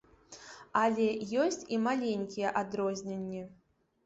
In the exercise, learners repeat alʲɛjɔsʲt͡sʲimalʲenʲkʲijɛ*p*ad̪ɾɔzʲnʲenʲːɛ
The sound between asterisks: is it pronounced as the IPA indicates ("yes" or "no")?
no